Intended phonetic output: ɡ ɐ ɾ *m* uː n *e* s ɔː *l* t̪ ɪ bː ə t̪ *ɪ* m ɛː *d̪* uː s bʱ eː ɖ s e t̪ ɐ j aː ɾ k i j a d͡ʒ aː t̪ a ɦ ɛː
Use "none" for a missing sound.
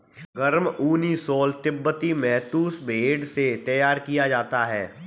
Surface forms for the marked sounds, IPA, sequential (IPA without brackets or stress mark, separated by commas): m, i, l, i, t̪